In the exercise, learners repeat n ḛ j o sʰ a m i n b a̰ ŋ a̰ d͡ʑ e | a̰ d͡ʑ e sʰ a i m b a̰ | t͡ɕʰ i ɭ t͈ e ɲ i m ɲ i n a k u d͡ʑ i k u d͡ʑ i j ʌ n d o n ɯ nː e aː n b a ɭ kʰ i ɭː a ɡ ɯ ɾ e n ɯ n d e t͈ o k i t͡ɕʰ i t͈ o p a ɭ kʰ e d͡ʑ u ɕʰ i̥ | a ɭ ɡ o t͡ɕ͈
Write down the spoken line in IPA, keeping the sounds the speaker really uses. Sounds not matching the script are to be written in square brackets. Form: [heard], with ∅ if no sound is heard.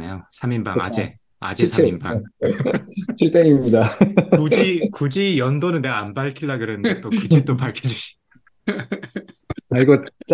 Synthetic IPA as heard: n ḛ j o sʰ a m i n b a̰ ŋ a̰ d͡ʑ e | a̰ d͡ʑ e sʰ a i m b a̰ | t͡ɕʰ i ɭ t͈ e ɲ i m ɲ i [d] a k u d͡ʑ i k u d͡ʑ i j ʌ n d o n ɯ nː e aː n b a ɭ kʰ i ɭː a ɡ ɯ ɾ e n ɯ n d e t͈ o k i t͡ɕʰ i t͈ o p a ɭ kʰ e d͡ʑ u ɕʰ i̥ | a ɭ ɡ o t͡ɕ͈